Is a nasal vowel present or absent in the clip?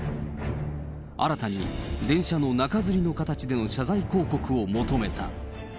present